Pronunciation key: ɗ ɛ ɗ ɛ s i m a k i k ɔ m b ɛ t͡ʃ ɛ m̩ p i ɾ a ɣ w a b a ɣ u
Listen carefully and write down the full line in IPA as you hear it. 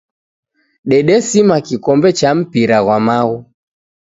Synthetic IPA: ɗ ɛ ɗ ɛ s i m a k i k ɔ m b ɛ t͡ʃ a m̩ p i ɾ a ɣ w a m a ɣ u